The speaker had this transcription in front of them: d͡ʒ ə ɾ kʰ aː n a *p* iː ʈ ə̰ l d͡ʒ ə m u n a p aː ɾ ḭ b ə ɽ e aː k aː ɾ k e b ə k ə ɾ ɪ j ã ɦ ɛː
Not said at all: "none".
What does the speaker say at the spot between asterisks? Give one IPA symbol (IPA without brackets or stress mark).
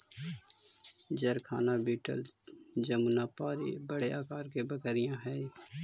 b